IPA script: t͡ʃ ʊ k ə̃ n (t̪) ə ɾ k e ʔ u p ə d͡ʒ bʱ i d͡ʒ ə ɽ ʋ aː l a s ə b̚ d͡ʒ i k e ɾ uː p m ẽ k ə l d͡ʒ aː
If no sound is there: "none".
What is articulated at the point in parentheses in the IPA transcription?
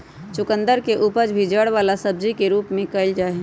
d̪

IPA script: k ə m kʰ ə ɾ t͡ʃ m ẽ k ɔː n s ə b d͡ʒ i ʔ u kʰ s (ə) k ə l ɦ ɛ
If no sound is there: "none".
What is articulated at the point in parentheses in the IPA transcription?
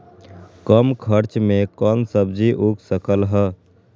ə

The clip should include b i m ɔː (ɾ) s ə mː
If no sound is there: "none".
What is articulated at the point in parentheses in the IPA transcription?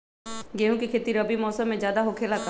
none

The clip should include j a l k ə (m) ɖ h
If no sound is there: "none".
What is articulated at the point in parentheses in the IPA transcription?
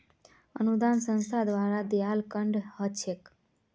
ɳ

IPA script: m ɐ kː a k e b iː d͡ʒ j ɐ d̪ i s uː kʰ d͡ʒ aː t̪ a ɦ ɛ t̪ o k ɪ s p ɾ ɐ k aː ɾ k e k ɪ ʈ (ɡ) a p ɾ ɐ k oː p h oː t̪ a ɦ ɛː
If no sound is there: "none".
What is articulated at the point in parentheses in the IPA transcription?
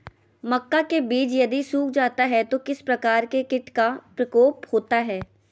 k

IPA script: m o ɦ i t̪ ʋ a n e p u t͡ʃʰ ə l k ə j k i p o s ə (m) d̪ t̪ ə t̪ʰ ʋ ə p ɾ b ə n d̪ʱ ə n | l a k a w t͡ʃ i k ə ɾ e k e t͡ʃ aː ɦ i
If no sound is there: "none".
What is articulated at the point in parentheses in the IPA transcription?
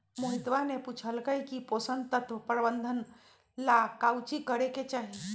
n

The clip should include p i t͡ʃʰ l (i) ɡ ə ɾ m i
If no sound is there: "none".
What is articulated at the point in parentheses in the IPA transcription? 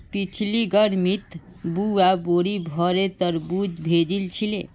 i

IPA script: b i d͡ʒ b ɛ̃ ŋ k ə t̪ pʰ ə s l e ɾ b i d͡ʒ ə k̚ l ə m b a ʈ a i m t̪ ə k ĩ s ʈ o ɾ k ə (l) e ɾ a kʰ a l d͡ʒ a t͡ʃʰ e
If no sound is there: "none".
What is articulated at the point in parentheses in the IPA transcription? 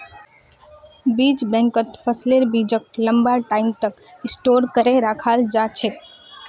ɾ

